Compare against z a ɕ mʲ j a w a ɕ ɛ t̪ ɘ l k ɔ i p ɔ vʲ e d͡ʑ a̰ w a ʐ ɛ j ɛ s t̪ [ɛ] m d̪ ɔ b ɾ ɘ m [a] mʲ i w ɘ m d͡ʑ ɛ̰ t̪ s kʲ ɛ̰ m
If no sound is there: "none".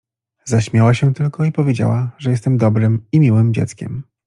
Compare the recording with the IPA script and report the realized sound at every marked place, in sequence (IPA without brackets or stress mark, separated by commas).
ɛ, i